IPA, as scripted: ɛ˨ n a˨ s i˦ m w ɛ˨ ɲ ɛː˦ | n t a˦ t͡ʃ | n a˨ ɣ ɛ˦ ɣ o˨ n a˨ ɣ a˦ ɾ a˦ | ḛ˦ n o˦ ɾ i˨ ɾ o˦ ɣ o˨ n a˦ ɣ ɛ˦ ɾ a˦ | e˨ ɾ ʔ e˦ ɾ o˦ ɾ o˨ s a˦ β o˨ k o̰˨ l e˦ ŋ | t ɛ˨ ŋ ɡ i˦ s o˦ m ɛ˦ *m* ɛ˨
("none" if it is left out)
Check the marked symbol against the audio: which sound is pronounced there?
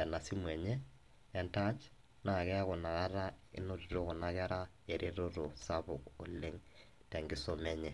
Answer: ɲ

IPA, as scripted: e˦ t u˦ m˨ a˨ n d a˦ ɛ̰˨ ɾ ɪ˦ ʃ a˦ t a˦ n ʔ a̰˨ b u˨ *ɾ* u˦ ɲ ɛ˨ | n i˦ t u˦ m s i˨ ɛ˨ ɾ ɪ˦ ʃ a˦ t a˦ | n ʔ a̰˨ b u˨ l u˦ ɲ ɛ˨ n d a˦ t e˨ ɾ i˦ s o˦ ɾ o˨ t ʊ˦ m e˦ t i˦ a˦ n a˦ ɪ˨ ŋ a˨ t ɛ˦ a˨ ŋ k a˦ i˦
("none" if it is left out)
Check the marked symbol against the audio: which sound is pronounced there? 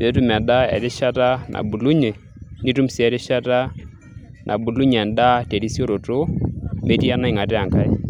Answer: l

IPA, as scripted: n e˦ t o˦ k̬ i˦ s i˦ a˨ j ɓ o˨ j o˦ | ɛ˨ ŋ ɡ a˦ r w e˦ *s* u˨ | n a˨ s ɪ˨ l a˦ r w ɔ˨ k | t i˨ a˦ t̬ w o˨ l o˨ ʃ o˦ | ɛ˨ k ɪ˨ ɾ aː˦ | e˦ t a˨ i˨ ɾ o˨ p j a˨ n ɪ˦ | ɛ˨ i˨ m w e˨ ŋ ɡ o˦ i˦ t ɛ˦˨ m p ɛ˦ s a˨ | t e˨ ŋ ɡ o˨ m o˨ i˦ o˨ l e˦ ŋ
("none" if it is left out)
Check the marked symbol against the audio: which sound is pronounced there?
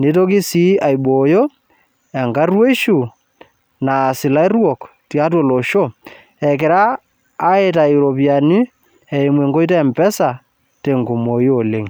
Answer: ʃ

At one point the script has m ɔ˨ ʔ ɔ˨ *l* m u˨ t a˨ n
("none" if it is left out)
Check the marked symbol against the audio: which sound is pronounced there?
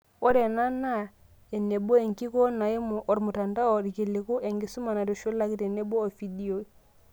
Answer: ɾ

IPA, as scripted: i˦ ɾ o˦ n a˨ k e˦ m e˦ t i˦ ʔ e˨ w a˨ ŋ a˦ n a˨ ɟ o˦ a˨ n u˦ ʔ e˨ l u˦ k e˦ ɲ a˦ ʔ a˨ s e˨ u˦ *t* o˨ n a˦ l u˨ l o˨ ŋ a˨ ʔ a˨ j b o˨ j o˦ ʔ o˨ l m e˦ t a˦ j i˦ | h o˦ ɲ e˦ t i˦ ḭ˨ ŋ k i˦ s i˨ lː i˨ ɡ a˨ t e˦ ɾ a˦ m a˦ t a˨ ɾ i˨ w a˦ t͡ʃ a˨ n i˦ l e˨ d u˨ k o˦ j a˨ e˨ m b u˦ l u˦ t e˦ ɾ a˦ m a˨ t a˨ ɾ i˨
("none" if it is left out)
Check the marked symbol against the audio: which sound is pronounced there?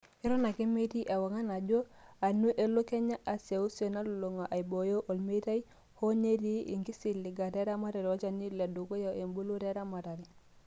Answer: s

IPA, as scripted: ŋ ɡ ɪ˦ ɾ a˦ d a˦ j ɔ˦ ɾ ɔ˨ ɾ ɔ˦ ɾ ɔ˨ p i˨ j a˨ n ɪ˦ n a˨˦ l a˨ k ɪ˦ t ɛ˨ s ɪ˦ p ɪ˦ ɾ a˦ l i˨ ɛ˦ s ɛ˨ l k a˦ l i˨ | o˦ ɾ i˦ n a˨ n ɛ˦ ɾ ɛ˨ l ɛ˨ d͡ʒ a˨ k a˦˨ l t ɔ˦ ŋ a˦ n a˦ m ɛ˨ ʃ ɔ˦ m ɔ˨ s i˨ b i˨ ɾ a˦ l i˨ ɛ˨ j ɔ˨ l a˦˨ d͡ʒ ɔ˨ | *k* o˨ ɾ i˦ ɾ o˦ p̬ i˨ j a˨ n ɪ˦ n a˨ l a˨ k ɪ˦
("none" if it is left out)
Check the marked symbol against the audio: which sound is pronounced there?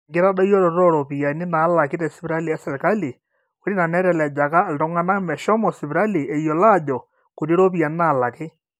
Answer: k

